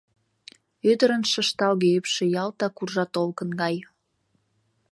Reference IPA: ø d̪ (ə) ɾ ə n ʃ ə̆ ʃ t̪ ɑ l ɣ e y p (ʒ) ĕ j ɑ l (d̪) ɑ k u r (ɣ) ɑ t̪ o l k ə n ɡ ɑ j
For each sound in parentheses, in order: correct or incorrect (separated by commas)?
correct, incorrect, incorrect, incorrect